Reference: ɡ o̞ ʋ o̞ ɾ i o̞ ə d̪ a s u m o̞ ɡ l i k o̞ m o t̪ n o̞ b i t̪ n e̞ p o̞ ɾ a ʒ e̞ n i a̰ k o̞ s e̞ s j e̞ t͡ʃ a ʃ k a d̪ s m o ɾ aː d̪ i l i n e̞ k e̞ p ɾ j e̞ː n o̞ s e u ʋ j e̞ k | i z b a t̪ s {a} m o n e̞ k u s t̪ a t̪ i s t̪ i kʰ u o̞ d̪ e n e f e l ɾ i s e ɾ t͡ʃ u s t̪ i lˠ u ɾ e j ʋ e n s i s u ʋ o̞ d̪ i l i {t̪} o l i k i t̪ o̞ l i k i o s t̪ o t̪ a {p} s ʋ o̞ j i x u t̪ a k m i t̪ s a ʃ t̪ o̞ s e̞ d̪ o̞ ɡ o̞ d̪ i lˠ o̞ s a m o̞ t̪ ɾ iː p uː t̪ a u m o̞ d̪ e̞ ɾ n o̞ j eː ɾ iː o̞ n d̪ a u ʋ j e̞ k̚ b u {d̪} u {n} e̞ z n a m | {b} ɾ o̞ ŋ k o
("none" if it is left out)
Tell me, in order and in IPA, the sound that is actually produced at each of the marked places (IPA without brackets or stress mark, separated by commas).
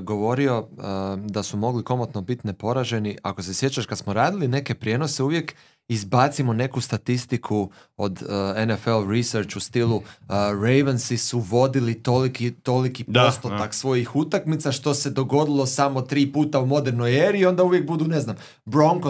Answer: i, t̪, k, d̪, n, b